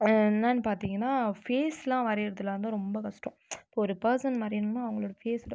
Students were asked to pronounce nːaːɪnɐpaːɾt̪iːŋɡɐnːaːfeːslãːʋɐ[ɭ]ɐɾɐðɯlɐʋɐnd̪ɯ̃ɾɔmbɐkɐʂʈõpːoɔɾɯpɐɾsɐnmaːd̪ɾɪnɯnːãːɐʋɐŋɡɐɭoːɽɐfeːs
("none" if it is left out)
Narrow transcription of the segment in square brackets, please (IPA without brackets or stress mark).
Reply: ɾ